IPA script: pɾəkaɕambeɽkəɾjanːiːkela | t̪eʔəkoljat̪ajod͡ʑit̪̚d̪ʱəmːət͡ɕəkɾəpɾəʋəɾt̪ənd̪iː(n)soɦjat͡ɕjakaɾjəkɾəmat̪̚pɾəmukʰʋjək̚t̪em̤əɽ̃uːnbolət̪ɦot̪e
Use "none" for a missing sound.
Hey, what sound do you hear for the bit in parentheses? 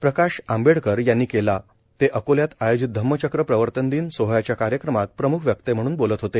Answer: n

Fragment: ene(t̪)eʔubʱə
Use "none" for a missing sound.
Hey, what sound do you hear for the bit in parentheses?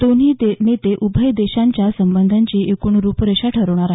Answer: t̪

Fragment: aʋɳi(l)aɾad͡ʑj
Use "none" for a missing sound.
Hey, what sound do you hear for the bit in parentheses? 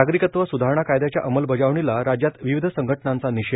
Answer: l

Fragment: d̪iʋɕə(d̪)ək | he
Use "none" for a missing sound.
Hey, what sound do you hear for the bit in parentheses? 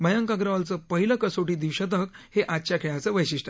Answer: t̪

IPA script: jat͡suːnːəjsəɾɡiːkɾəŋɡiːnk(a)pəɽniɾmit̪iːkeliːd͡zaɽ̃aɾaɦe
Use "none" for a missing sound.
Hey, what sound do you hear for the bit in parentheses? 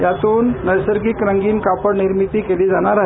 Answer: a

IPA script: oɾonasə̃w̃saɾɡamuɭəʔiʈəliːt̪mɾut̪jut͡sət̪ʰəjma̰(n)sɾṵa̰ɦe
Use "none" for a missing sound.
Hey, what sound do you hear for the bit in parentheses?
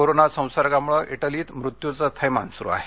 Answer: n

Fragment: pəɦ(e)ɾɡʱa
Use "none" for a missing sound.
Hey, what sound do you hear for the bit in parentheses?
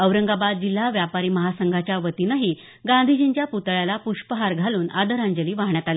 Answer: a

